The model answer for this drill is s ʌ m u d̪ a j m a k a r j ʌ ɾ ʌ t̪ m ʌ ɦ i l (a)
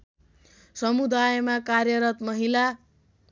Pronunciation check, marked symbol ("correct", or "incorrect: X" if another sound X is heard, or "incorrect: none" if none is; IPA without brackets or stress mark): correct